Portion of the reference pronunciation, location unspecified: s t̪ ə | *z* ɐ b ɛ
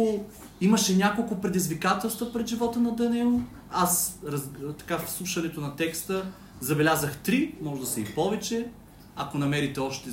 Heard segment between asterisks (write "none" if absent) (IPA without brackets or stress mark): z